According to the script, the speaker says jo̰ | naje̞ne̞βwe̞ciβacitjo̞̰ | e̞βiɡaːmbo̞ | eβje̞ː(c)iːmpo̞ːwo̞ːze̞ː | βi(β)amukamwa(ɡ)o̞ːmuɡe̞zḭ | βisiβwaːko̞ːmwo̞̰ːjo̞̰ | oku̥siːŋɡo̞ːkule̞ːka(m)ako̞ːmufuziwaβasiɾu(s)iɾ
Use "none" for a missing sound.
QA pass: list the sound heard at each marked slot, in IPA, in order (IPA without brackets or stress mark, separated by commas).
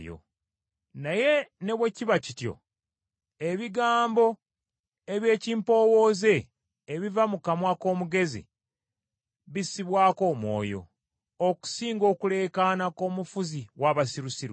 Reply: c, v, k, n, s